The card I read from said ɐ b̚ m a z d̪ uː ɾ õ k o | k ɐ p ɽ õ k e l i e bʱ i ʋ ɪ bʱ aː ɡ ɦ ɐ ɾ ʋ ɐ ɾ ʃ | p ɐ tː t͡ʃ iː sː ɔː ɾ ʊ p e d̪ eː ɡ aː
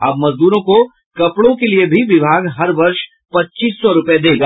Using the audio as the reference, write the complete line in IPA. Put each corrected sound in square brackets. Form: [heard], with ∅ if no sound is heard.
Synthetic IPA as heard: ɐ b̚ m [ɐ] z d̪ uː ɾ õ k o | k ɐ p ɽ õ k e l i e bʱ i ʋ ɪ bʱ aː ɡ ɦ ɐ ɾ ʋ ɐ ɾ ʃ | p ɐ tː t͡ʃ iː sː [ɔ] ɾ ʊ p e d̪ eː ɡ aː